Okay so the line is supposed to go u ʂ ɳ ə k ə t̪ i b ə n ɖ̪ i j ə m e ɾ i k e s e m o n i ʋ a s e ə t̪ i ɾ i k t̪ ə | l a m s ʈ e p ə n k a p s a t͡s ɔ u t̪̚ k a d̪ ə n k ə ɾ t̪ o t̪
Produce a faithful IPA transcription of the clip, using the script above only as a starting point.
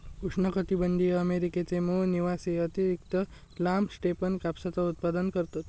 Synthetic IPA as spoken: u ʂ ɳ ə k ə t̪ i b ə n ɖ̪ i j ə m e ɾ i k e t͡s e m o n i ʋ a s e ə t̪ i ɾ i k t̪ ə | l a m s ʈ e p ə n k a p s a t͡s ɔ u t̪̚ p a d̪ ə n k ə ɾ t̪ o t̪